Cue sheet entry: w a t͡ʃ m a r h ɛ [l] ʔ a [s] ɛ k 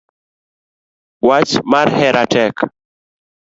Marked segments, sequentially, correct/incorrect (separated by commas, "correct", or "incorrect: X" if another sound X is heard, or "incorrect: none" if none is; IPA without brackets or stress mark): incorrect: ɾ, incorrect: t